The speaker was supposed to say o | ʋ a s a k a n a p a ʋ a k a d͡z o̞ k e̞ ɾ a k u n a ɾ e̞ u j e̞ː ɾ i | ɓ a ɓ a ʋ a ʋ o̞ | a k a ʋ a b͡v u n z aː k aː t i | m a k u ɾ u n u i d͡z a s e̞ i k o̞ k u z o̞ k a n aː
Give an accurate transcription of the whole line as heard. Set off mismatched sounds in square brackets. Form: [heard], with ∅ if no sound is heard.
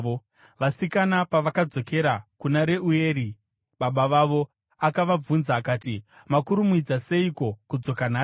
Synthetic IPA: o | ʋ a s [i] k a n a p a ʋ a k a d͡z o̞ k e̞ ɾ a k u n a ɾ e̞ u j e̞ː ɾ i | ɓ a ɓ a ʋ a ʋ o̞ | a k a ʋ a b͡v u n z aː k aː t i | m a k u ɾ u [m] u i d͡z a s e̞ i k o̞ k u [d͡z] o̞ k a n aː